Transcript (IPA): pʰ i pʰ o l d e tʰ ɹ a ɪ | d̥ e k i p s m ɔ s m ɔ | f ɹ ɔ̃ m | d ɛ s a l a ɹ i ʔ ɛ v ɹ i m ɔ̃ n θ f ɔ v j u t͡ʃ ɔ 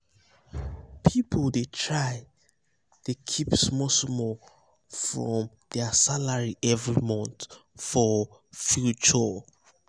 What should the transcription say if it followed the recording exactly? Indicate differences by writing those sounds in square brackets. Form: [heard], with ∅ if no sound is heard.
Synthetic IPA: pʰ i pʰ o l d e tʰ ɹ a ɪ | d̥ e [kʰ] i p s m ɔ s m ɔ | f ɹ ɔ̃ m | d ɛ s a l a ɹ i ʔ ɛ v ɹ i m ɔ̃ n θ f ɔ [f] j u t͡ʃ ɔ